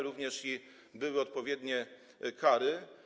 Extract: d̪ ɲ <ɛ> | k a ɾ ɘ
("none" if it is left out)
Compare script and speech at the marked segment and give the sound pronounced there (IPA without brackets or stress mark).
ɛ